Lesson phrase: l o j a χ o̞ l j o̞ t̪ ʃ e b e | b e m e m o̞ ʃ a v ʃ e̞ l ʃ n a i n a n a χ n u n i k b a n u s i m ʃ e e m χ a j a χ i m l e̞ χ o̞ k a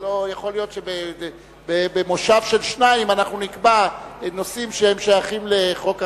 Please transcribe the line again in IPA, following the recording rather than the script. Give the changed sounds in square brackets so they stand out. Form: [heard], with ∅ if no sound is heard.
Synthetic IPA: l o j a χ o̞ l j o̞ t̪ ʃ e b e | b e [b] e m o̞ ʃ a v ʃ e̞ l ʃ n a i [m] a n a χ n u n i k b a n [o] s i m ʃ e e m [ʃ] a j a χ i m l e̞ χ o̞ k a